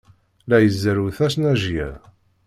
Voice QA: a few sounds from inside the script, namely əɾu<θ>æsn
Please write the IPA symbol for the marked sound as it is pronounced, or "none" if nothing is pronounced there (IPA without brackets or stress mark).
θ